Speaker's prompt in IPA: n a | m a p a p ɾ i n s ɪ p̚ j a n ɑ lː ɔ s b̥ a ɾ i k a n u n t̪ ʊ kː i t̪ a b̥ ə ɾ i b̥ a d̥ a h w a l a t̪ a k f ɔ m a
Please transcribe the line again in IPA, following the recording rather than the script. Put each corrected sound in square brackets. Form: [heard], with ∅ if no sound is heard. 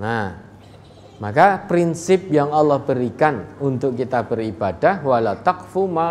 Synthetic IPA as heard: n a | m a [k] a p ɾ i n s ɪ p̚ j a [ŋ] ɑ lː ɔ [h] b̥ [ə] ɾ i k a n u n t̪ ʊ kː i t̪ a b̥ ə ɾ i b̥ a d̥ a h w a l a t̪ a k f [u] m a